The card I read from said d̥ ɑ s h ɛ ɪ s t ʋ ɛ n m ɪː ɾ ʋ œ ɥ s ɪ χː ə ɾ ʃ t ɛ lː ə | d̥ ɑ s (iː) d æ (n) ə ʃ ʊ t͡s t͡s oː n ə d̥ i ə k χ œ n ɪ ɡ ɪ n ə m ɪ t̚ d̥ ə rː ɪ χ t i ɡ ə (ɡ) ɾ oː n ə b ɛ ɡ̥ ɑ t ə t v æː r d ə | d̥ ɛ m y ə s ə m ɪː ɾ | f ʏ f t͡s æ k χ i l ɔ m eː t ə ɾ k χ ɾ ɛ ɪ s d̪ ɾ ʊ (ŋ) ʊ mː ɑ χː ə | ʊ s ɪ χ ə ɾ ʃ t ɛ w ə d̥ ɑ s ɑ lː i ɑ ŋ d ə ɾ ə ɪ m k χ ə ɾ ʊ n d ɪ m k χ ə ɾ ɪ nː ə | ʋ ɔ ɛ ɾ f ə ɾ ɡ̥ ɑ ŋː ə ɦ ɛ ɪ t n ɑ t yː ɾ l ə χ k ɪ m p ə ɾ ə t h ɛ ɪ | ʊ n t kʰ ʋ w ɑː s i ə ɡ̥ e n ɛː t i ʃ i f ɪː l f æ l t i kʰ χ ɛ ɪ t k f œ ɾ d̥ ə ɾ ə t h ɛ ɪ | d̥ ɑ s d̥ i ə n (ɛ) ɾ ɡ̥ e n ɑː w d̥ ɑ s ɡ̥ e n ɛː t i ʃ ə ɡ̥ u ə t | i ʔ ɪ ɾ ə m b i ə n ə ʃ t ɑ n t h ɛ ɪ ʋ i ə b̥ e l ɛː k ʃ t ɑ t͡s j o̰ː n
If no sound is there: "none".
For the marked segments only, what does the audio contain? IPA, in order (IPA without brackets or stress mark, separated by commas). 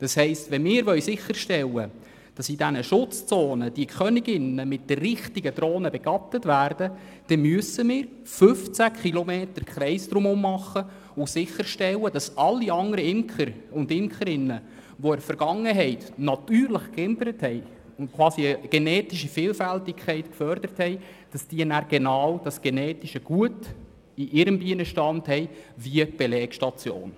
i, n, d, m, æ